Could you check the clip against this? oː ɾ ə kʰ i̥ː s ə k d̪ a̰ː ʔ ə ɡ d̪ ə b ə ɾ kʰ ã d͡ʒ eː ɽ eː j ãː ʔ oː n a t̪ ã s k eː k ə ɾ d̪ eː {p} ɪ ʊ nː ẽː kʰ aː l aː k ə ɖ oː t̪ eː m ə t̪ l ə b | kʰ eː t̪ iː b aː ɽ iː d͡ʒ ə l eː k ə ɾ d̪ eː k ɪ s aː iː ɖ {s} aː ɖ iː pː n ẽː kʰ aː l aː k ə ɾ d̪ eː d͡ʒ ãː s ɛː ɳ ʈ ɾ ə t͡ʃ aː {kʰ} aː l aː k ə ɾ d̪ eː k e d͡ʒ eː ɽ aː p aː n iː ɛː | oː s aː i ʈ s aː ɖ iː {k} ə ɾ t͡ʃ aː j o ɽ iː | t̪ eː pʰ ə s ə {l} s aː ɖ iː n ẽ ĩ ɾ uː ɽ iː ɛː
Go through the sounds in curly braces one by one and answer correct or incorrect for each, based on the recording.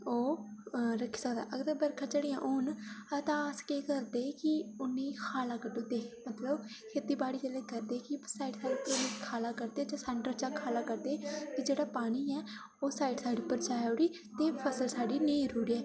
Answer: incorrect, correct, correct, incorrect, correct

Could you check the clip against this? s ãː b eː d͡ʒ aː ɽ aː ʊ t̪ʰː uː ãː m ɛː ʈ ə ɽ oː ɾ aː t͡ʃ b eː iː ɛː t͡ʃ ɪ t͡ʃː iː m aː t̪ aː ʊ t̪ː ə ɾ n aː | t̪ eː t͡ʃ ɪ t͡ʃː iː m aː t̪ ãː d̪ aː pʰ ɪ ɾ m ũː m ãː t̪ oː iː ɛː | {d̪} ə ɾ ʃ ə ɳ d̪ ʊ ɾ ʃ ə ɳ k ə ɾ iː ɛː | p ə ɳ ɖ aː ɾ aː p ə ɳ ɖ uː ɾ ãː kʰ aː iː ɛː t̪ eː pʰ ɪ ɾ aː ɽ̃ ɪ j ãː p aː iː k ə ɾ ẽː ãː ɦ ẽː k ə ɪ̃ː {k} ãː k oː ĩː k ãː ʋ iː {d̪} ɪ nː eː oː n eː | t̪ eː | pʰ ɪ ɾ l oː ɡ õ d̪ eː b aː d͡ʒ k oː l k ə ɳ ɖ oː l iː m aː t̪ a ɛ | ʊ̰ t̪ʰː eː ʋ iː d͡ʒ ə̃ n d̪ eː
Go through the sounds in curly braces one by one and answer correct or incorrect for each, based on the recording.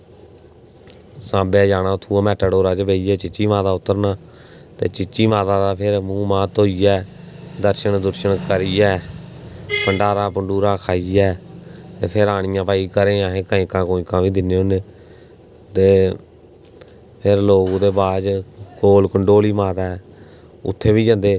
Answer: correct, correct, correct

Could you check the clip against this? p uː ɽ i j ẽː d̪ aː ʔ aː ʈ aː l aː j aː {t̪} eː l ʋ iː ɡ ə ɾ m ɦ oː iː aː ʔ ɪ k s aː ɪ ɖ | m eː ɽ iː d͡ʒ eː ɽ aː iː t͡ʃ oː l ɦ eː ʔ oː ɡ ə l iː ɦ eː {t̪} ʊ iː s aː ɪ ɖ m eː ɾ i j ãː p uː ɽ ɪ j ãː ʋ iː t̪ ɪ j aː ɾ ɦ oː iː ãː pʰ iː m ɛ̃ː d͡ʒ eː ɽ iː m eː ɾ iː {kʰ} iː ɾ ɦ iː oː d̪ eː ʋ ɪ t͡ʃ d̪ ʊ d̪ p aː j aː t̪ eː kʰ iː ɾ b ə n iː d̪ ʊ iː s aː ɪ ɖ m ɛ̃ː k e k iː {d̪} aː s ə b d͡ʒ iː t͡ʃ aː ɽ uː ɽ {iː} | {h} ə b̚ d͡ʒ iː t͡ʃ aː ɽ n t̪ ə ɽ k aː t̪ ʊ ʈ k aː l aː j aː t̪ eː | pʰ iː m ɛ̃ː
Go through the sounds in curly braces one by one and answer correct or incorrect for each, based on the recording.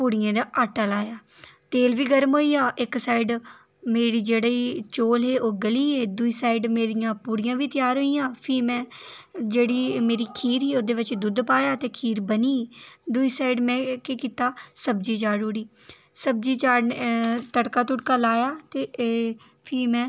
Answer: correct, incorrect, correct, incorrect, correct, incorrect

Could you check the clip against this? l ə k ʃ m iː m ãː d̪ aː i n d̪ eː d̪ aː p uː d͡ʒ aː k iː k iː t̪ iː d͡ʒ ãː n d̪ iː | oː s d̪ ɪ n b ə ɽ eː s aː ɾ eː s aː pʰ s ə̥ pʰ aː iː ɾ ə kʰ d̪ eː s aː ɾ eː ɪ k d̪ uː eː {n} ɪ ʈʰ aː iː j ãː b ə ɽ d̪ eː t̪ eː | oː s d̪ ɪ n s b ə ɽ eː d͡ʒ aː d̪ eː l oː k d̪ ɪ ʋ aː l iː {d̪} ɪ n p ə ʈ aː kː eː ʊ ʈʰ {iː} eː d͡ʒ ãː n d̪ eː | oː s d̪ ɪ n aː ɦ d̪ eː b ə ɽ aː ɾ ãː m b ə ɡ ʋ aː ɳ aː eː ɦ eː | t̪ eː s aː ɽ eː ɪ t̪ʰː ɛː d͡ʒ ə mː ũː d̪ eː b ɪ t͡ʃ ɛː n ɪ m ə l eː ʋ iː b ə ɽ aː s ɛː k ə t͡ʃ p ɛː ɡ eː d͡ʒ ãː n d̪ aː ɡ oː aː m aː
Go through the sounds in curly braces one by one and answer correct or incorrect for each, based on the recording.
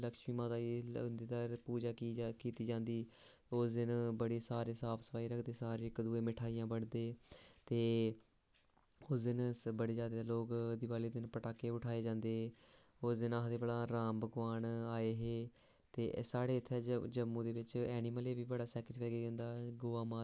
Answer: incorrect, correct, incorrect

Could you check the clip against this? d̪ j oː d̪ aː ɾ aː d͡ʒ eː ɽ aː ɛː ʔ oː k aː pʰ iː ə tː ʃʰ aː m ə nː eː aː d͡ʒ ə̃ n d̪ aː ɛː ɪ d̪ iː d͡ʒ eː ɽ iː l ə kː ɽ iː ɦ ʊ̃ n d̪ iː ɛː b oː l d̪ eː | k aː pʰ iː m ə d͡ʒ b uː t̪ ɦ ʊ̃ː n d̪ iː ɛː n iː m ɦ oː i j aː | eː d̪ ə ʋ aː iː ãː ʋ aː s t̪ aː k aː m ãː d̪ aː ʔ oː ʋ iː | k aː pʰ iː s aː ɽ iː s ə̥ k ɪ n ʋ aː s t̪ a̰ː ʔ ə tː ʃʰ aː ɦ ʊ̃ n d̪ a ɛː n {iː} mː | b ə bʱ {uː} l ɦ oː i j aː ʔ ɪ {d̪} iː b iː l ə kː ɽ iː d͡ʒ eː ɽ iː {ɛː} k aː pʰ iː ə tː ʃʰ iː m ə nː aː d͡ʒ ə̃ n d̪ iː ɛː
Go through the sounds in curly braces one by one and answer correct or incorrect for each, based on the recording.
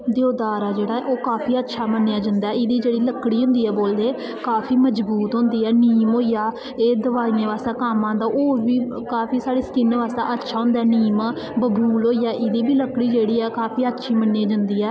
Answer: correct, correct, correct, correct

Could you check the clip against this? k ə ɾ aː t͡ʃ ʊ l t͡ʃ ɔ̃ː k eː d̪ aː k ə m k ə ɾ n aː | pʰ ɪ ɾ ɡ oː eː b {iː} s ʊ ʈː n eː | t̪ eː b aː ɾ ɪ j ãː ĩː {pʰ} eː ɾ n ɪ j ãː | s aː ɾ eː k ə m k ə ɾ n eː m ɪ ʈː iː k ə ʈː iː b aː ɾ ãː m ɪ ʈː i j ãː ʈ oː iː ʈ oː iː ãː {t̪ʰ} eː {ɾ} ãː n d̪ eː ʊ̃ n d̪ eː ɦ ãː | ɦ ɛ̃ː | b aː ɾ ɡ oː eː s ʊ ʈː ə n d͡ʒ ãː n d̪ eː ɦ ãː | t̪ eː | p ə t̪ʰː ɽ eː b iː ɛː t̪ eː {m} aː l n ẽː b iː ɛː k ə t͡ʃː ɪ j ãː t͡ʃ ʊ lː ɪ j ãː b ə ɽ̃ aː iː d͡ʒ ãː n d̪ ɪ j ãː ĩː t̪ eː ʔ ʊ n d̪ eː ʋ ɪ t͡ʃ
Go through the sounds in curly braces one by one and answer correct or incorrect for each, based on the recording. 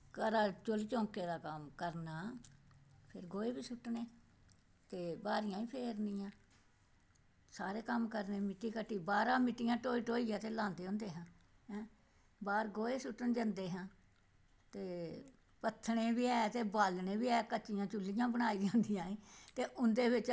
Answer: correct, correct, incorrect, incorrect, incorrect

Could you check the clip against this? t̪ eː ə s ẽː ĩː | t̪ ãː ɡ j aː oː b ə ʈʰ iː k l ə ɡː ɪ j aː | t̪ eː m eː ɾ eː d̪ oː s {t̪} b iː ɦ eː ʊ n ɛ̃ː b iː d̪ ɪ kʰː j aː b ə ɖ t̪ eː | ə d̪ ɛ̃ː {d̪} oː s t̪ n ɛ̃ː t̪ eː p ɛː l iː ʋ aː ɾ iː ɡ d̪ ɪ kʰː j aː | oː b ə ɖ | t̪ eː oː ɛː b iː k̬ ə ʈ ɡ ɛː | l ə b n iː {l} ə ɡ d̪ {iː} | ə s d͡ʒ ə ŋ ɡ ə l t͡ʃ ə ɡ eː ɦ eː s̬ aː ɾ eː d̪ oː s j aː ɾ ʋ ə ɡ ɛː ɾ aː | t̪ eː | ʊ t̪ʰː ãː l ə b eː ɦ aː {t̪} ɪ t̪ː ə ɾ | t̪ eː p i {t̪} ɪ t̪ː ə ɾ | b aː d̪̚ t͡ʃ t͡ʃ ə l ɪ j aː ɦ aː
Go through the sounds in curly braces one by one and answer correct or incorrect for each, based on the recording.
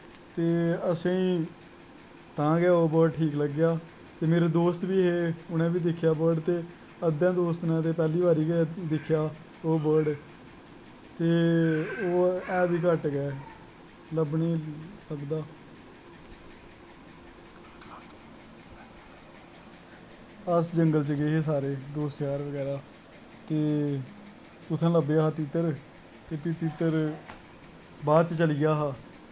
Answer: correct, correct, correct, incorrect, correct, correct

